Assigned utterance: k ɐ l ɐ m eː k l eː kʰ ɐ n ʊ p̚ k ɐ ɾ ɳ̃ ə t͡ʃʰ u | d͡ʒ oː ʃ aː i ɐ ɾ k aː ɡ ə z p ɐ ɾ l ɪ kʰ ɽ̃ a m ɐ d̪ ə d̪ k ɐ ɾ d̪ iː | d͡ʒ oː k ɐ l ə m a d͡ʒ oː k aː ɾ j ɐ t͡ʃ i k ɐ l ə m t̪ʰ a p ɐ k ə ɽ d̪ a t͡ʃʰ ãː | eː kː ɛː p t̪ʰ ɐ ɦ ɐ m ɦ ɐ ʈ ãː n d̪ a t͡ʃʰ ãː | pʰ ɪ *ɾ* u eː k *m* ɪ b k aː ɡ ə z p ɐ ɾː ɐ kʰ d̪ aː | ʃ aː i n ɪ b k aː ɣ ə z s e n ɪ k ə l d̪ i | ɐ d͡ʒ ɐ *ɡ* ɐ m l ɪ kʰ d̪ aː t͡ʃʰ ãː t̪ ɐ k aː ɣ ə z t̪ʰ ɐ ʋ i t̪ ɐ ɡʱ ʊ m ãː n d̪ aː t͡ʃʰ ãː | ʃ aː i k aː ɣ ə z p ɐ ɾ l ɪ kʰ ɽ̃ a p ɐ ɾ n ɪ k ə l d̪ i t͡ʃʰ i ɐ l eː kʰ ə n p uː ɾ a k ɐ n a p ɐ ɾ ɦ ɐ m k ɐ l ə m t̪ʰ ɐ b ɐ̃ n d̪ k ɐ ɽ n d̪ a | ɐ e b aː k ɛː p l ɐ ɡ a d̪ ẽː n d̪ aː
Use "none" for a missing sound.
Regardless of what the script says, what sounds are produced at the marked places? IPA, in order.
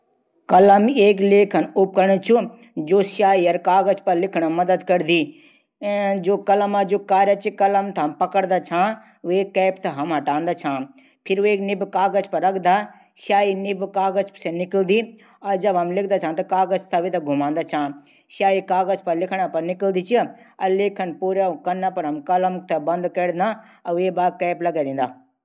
ɾ, n, b

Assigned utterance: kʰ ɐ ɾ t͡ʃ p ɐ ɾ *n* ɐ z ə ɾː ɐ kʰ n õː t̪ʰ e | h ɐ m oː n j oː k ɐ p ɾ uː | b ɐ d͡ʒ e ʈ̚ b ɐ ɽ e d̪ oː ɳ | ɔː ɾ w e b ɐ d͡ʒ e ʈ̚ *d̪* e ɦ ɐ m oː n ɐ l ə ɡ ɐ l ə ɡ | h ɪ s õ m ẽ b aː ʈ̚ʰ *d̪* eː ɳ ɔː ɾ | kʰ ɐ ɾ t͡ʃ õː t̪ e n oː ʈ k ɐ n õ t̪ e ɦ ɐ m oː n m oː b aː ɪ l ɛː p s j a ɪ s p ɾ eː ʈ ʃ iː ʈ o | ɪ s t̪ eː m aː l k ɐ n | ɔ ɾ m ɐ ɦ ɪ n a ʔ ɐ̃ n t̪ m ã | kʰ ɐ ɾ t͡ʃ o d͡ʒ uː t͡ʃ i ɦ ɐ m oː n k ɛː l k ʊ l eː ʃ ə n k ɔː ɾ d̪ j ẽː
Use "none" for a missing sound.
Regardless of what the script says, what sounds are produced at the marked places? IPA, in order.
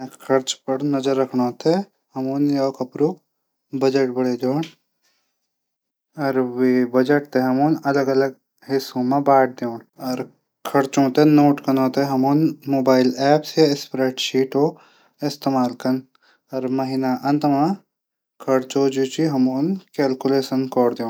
n, t̪, d̪

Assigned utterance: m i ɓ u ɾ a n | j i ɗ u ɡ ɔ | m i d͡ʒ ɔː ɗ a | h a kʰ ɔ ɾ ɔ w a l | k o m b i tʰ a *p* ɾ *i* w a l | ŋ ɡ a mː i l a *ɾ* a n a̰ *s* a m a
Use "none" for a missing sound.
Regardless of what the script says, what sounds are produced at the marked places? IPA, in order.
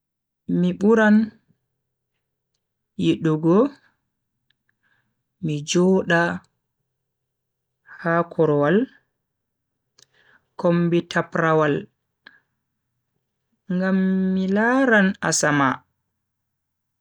p, a, ɾ, s

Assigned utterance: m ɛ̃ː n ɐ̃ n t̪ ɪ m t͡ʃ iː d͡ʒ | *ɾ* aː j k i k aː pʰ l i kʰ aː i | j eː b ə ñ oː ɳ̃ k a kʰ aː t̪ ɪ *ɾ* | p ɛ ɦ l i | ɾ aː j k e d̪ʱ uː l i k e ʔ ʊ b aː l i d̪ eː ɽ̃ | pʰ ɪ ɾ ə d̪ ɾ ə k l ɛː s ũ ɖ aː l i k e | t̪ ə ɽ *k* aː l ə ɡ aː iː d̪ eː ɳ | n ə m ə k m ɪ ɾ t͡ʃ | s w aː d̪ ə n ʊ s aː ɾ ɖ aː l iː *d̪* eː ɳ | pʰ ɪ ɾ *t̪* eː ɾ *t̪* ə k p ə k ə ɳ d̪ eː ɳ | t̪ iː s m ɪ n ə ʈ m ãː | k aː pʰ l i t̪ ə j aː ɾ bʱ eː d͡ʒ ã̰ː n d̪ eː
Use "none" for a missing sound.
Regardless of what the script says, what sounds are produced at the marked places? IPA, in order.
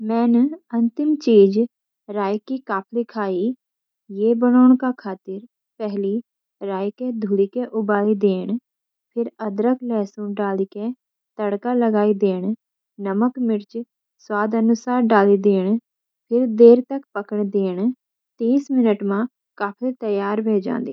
ɾ, ɾ, k, d̪, d̪, t̪

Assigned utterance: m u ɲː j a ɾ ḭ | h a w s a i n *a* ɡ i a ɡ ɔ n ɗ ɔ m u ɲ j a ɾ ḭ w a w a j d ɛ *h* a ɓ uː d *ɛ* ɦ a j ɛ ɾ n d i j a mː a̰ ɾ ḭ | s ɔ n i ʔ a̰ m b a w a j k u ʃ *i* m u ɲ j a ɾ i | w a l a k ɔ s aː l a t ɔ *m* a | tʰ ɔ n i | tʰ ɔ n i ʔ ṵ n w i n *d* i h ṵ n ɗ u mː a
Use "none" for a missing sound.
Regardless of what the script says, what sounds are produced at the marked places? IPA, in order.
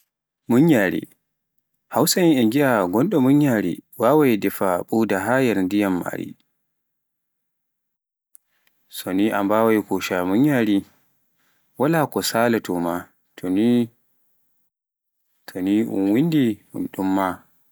ɛ, f, a, a, m, d

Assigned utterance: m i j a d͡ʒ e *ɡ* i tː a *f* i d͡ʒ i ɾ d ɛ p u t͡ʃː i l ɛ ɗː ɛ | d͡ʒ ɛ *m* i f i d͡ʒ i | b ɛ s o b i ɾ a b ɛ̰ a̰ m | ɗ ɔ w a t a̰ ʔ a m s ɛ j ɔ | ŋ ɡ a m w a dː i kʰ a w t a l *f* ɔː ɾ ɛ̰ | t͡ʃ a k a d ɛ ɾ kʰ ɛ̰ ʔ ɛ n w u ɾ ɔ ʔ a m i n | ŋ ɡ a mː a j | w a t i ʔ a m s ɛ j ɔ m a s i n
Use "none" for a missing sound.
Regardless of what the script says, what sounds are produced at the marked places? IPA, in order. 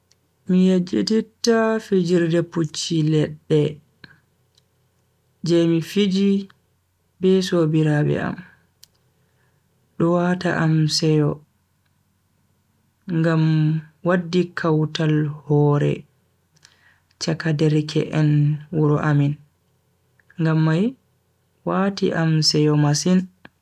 d, f, m, h

